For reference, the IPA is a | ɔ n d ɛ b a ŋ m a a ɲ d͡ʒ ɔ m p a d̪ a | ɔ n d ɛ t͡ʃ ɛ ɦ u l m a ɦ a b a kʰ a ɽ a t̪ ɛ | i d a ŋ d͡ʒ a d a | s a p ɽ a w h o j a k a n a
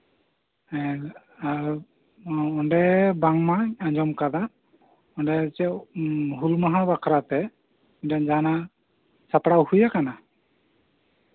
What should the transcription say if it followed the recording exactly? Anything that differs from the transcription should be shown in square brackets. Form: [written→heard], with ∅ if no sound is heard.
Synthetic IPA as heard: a | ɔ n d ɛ b a ŋ m a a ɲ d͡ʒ ɔ m [p→k] a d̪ a | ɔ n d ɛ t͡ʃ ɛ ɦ u l m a ɦ a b a kʰ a [ɽ→ɾ] a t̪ ɛ | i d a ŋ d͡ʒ a [d→n] a | s a p ɽ a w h [o→u] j a k a n a

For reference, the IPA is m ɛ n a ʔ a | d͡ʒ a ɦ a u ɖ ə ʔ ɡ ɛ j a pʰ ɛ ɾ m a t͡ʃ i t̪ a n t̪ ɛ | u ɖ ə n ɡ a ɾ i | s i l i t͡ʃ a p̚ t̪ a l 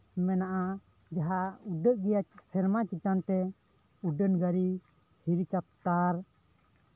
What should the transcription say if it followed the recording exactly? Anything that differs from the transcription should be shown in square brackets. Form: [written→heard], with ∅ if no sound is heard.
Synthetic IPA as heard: m ɛ n a ʔ a | d͡ʒ a ɦ a u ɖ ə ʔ ɡ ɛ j a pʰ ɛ ɾ m a t͡ʃ i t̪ a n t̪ ɛ | u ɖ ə n ɡ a ɾ i | [s→h] i [l→ɾ] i t͡ʃ a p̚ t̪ a [l→ɾ]

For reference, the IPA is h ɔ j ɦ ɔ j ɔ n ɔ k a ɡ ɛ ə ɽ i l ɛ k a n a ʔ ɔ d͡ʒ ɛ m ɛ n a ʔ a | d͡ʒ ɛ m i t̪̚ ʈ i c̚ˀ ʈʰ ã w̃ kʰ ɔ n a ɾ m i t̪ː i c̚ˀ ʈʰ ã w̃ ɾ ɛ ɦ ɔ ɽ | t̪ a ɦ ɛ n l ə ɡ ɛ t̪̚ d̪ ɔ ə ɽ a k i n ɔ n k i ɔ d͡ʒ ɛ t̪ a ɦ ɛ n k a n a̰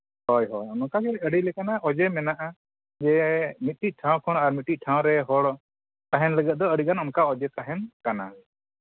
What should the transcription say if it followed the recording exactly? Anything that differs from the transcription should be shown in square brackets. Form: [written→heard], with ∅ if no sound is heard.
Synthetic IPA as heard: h ɔ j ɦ ɔ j ɔ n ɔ k a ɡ ɛ ə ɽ i l ɛ k a n a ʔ ɔ d͡ʒ ɛ m ɛ n a ʔ a | d͡ʒ ɛ m i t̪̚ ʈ i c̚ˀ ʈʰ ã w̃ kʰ ɔ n a ɾ m i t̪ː i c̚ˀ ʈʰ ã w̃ ɾ ɛ ɦ ɔ ɽ | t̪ a ɦ ɛ n l ə ɡ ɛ t̪̚ d̪ ɔ ə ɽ [a→i] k [i→a] n ɔ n k [i→a] ɔ d͡ʒ ɛ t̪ a ɦ ɛ n k a n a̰

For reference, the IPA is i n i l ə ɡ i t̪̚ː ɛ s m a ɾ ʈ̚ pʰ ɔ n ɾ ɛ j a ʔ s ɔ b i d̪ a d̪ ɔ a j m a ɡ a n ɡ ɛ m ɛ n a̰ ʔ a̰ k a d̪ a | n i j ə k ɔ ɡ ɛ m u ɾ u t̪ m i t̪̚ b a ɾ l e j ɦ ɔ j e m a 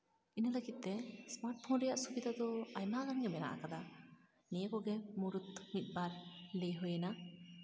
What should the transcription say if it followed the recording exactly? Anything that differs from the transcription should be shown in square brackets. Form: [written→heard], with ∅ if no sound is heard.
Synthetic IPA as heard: i n i l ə ɡ i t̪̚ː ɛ s m a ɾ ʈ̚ pʰ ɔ n ɾ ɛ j a ʔ s [ɔ→u] b i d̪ a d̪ ɔ a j m a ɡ a n ɡ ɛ m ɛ n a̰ ʔ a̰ k a d̪ a | n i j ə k ɔ ɡ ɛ m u ɾ u t̪ m i t̪̚ b a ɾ l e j ɦ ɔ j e [m→n] a

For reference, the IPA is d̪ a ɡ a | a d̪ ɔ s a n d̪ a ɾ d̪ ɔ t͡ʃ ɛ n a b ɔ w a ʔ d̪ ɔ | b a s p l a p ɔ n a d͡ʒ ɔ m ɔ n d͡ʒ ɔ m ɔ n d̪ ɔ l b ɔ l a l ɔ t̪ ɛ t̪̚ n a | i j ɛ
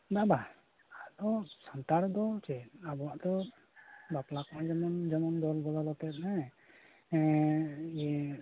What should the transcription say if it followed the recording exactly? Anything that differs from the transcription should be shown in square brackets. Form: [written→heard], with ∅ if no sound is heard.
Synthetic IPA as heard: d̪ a [ɡ→b] a | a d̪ ɔ s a n [d̪→t̪] a ɾ d̪ ɔ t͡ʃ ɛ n a b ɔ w a ʔ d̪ ɔ | b a [s→∅] p l a [p→k] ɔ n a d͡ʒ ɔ m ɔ n d͡ʒ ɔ m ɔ n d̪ ɔ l b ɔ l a l ɔ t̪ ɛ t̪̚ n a | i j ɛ

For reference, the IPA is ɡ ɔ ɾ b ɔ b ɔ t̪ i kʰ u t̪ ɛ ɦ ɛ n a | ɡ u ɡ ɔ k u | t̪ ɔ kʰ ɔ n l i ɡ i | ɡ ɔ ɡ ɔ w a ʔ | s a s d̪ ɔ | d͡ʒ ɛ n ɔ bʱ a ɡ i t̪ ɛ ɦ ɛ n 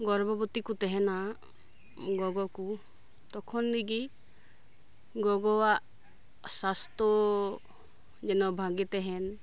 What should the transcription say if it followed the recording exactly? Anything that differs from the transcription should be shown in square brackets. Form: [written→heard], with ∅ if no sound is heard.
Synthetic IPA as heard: ɡ ɔ ɾ b ɔ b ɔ t̪ i [kʰ→k] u t̪ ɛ ɦ ɛ n a | ɡ [u→ɔ] ɡ ɔ k u | t̪ ɔ kʰ ɔ n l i ɡ i | ɡ ɔ ɡ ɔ w a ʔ | s a s [d̪→t̪] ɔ | d͡ʒ ɛ n ɔ bʱ a ɡ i t̪ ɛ ɦ ɛ n

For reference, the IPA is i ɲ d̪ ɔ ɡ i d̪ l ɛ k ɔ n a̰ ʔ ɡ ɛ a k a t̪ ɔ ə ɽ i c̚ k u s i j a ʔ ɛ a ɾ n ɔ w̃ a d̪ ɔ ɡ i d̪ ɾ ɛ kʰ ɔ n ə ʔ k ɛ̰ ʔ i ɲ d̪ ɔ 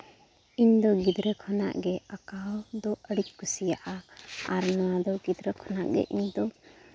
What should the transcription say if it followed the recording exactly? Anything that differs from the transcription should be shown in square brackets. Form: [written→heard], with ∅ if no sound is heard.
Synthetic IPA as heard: i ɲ d̪ ɔ ɡ i d̪ [l→ɾ] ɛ [k→kʰ] ɔ n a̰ ʔ ɡ ɛ a k a [t̪→d̪] ɔ ə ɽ i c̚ k u s i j a ʔ [ɛ→a] a ɾ n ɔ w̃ a d̪ ɔ ɡ i d̪ ɾ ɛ kʰ ɔ n [ə→a] ʔ [k→ɡ] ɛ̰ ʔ i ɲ d̪ ɔ

